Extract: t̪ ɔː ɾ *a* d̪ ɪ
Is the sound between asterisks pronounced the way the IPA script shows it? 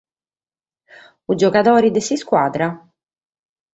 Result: no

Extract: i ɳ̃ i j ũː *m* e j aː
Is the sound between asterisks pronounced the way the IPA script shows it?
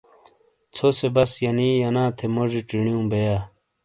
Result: no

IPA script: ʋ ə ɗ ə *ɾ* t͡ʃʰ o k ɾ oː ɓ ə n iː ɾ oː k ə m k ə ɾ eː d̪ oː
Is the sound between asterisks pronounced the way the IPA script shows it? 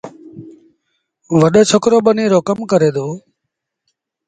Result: no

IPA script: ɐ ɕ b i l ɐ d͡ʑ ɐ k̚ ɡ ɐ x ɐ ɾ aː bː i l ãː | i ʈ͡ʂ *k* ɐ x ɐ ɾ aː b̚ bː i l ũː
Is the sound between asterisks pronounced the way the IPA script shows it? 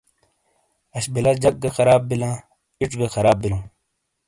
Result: no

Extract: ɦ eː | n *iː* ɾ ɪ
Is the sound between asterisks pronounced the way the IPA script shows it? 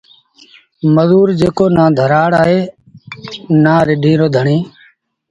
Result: no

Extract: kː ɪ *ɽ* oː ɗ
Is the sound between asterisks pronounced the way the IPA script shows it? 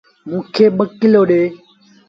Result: no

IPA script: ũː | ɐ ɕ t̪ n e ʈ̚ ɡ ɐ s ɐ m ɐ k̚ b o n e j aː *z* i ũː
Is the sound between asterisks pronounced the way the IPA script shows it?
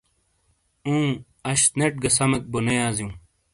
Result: yes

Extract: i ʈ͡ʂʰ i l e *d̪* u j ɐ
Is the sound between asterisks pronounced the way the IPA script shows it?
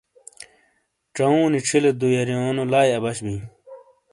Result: yes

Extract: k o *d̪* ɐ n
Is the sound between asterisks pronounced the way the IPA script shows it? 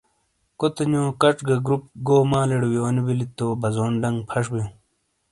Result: no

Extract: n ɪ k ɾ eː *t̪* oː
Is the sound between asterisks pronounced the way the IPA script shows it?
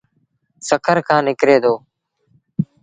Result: no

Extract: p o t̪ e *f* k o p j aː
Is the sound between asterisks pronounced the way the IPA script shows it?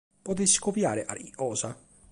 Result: no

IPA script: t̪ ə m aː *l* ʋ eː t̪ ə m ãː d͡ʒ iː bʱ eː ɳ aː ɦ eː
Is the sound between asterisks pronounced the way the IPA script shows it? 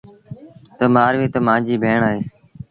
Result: no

